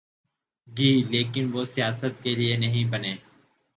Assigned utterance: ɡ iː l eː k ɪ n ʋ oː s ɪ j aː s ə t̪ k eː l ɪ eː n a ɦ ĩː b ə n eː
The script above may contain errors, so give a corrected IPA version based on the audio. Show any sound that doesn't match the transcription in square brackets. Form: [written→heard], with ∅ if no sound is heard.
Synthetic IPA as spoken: ɡ iː l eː k ɪ n ʋ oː s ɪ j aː s ə t̪ k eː l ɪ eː n [a→ə] ɦ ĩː b ə n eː